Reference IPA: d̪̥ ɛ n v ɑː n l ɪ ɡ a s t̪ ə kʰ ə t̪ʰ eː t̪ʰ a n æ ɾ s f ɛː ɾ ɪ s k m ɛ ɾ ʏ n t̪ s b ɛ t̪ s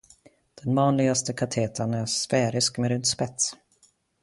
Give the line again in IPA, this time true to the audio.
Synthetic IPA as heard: d̪̥ ɛ n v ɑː n l ɪ ɡ a s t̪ ə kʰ a t̪ʰ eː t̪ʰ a n æ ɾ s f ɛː ɾ ɪ s k m ɛ ɾ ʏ n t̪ s p ɛ t̪ s